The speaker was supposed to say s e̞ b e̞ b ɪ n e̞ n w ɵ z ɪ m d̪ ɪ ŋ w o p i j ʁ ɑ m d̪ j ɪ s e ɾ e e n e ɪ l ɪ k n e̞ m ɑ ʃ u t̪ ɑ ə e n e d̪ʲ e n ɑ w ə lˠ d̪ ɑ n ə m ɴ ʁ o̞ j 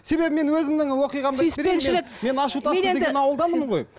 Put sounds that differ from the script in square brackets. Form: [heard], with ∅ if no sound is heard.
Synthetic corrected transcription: s e̞ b e̞ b ɪ [m] e̞ n w ɵ z ɪ m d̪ ɪ ŋ w o [q] i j ʁ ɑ m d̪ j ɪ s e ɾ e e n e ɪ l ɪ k [m] e̞ [n] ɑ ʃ u t̪ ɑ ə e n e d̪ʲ e n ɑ w ə lˠ d̪ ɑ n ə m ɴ ʁ o̞ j